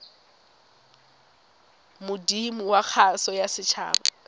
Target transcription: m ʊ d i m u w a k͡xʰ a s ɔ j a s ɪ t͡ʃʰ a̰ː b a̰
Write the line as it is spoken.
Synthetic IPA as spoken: m ʊ d i m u w a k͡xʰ a s ɔ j a s ɪ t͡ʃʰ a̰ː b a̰